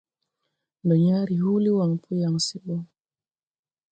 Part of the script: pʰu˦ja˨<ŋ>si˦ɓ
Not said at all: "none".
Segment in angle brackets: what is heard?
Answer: ŋ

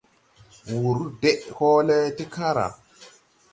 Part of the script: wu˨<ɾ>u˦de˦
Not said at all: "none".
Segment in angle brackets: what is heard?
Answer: ɾ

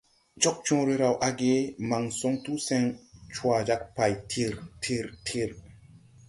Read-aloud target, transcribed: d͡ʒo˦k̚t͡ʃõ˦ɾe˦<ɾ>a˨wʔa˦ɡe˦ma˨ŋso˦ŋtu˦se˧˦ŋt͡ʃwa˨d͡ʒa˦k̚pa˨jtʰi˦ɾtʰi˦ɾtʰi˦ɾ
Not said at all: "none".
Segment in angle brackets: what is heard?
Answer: ɾ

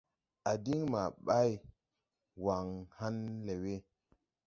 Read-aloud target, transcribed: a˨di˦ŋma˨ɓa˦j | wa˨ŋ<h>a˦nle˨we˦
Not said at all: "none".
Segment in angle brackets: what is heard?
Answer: h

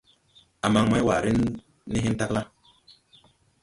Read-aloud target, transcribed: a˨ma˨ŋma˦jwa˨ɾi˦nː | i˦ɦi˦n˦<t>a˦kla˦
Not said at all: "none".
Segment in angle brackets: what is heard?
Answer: t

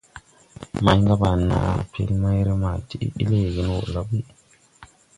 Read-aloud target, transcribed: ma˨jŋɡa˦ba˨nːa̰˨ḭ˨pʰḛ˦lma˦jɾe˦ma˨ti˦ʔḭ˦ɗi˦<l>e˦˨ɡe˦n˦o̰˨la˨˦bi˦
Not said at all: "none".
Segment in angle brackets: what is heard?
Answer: l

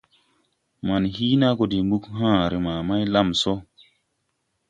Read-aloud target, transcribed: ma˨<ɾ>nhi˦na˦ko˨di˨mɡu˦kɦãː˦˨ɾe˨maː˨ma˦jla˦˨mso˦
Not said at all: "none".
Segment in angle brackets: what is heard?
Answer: none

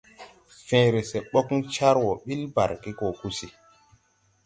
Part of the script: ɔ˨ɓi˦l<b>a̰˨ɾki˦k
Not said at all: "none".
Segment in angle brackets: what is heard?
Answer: b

